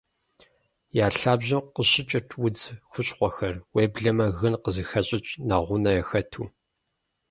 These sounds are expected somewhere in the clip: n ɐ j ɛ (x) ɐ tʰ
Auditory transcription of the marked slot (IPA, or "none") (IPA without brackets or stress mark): x